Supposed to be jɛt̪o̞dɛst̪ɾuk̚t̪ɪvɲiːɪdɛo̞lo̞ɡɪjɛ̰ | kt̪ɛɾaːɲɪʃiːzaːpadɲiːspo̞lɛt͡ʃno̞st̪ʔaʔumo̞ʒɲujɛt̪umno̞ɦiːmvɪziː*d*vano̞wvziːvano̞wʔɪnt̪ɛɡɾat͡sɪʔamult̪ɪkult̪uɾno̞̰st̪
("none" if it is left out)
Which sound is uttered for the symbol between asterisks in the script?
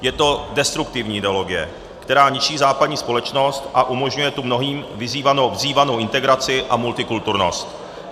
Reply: none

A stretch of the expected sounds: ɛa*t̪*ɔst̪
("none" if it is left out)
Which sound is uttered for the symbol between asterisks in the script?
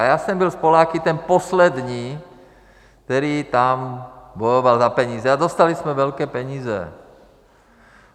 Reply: d̪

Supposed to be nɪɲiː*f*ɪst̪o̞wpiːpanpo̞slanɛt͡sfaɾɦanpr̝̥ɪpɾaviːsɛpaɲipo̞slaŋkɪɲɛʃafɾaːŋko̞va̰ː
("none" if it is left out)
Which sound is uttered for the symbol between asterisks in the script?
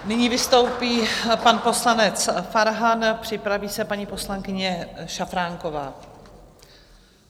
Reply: v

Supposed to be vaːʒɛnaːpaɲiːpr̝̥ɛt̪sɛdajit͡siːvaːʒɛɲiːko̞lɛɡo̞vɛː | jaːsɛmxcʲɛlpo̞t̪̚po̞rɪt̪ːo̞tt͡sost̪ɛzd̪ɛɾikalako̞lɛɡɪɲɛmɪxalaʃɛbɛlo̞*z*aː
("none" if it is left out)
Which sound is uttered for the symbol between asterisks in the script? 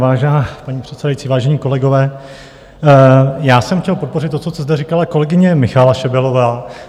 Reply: v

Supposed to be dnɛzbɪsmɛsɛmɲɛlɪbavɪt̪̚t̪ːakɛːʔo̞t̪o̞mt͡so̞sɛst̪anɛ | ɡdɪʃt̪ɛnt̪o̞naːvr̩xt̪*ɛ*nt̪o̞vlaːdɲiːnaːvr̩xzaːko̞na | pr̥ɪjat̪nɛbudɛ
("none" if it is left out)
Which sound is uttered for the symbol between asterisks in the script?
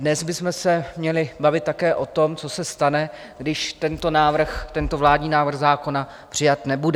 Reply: ɛ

